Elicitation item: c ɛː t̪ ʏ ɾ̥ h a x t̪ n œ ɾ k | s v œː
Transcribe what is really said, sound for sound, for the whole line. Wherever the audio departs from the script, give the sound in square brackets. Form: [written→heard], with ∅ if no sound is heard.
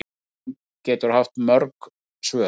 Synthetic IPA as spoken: c ɛː t̪ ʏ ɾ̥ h a [x→f] t̪ [n→m] œ ɾ k | s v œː